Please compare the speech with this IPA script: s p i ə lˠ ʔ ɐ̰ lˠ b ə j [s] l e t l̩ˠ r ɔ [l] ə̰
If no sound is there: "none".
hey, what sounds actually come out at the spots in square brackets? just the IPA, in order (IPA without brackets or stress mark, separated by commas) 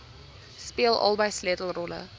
s, l